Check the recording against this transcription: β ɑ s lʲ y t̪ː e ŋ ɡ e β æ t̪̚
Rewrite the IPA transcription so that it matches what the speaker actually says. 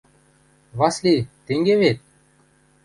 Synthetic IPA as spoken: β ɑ s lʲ i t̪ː e ŋ ɡ e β e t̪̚